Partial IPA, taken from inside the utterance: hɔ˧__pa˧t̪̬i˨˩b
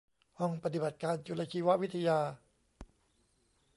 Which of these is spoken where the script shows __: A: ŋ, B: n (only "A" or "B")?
A